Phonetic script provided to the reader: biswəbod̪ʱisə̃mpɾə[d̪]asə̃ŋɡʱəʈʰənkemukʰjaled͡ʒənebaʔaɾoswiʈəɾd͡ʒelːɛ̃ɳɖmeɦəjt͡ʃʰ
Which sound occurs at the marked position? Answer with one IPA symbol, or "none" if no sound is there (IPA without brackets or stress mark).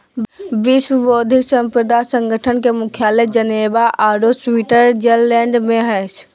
d̪